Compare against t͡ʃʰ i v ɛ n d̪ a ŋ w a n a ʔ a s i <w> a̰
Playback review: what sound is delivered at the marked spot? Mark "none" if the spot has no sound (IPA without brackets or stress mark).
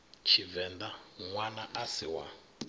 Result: w